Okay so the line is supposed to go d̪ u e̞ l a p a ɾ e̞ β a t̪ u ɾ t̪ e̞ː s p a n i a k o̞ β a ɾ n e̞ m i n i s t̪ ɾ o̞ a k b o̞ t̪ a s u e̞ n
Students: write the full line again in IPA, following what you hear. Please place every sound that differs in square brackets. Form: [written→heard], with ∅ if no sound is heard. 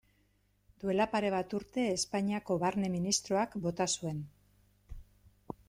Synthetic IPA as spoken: d̪ u e̞ l a p a ɾ e̞ β a t̪ u ɾ t̪ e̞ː s p a [n→ɲ] i a k o̞ β a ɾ n e̞ m i n i s t̪ ɾ o̞ a k b o̞ t̪ a s u e̞ n